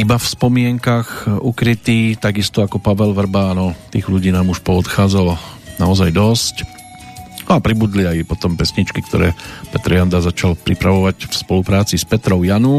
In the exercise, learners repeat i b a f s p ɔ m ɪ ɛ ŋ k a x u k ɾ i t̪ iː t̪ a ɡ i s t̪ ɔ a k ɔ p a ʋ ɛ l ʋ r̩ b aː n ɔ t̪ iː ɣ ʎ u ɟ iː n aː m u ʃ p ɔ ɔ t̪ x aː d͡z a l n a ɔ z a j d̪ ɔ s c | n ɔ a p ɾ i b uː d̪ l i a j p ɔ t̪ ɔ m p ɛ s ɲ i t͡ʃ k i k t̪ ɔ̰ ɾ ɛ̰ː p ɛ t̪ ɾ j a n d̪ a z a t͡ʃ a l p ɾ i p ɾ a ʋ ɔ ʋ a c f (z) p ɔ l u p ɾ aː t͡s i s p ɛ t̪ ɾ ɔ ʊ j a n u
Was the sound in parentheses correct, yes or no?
no